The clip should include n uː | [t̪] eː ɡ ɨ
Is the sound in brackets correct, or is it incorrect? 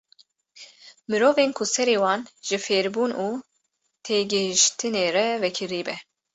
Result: incorrect: t̪ʰ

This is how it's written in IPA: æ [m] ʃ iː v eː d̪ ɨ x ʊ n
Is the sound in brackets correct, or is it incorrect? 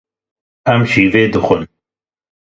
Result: correct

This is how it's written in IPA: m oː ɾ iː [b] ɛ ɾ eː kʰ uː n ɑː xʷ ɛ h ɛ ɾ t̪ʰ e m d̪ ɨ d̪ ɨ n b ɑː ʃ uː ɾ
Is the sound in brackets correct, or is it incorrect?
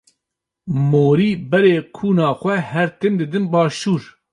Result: correct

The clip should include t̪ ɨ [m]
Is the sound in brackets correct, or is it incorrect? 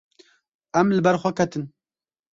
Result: incorrect: n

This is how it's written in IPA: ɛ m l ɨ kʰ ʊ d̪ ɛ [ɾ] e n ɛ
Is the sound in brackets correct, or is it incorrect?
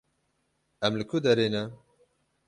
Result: correct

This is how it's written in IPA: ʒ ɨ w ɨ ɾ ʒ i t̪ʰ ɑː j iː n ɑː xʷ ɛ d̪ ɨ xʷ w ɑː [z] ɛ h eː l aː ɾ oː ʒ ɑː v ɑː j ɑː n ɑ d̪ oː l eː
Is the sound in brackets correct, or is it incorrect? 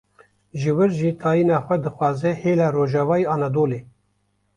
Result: correct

